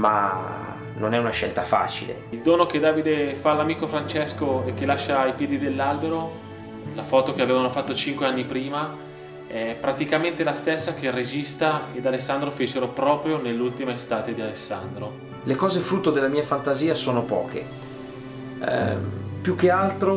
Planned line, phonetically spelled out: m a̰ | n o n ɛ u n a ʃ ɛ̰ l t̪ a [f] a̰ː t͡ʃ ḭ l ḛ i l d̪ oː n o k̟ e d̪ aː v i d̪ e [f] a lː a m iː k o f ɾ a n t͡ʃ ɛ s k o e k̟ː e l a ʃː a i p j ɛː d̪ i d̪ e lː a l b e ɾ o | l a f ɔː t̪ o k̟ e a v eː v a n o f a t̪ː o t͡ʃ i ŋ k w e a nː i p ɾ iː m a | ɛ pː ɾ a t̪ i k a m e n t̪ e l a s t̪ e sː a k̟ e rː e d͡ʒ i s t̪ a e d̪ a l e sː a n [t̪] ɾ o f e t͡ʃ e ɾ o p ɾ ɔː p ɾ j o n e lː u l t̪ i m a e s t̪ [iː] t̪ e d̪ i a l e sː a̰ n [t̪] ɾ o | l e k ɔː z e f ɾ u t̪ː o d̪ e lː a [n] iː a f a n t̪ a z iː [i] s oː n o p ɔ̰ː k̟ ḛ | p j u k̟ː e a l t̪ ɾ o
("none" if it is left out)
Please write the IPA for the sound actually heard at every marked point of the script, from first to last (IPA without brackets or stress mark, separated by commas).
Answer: f, f, d̪, aː, d̪, m, a